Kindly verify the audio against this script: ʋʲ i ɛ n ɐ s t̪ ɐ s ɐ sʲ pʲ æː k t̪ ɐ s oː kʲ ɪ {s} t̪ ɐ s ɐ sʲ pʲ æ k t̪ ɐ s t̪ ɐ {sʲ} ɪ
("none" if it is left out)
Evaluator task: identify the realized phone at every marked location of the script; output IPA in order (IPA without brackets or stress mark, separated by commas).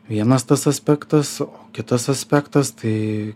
none, none